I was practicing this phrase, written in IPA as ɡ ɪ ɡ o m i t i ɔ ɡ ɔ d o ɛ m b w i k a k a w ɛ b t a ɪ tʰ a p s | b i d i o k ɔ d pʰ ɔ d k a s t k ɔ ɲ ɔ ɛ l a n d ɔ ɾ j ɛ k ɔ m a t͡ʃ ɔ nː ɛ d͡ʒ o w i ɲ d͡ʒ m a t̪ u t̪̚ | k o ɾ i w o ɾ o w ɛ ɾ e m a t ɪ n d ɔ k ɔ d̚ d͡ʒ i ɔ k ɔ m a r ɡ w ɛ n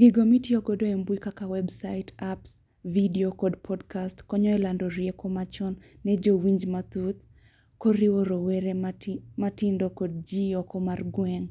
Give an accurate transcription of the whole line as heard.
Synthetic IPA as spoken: ɡ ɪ ɡ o m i t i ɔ ɡ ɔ d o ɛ m b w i k a k a w ɛ b s a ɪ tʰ a p s | v i d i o k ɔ d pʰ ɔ d k a s t k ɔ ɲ ɔ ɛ l a n d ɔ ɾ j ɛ k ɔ m a t͡ʃ ɔ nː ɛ d͡ʒ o w i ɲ d͡ʒ m a t̪ u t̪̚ | k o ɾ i w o ɾ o w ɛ ɾ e m a t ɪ n d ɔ k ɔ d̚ d͡ʒ i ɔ k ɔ m a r ɡ w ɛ ŋ